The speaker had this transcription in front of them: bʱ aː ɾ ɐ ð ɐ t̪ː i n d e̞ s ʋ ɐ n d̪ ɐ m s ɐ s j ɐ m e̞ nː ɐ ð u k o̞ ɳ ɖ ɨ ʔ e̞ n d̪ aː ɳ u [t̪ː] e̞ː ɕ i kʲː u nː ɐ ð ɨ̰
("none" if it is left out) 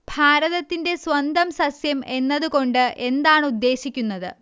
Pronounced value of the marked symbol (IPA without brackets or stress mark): d̪ː